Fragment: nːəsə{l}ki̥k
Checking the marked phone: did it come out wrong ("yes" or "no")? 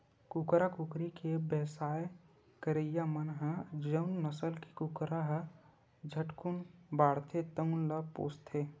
no